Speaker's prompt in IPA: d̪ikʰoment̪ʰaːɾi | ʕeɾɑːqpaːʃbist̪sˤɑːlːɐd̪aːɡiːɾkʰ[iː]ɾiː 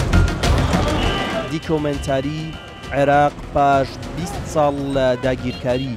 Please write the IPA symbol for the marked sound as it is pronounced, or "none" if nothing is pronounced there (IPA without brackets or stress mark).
aː